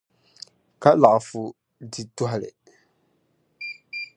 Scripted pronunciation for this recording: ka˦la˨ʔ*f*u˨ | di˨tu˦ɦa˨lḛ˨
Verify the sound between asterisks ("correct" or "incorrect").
correct